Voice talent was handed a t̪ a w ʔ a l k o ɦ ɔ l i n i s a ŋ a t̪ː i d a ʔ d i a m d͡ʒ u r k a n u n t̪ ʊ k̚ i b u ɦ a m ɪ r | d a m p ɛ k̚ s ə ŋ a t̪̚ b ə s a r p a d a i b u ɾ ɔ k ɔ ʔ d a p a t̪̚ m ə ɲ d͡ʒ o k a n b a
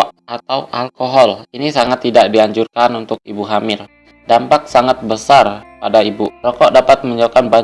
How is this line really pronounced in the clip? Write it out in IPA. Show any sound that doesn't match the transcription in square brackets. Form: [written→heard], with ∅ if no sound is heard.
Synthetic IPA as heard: a t̪ a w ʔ a l k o ɦ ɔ l i n i s a ŋ a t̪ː i d a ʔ d i a [m→ɲ] d͡ʒ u r k a n u n t̪ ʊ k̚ i b u ɦ a m ɪ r | d a m p [ɛ→a] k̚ s [ə→a] ŋ a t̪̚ b ə s a r p a d a i b u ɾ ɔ k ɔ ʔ d a p a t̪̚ m ə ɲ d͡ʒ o k a n b a